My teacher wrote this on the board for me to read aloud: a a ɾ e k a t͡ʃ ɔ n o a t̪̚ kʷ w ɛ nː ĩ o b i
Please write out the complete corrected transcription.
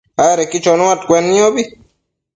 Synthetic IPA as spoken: a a ɾ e k i t͡ʃ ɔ n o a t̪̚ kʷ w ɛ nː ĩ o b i